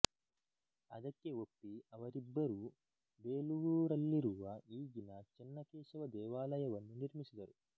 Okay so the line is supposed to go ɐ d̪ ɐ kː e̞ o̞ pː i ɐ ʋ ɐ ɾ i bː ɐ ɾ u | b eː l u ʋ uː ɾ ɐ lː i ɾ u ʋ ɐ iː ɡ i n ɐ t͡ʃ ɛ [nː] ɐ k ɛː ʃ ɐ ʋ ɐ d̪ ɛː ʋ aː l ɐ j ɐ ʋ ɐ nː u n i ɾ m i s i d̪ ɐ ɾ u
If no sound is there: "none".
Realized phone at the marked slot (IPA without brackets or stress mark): nː